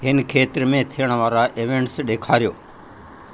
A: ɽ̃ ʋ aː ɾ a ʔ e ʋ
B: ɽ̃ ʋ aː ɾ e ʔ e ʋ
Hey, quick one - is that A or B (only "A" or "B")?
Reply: A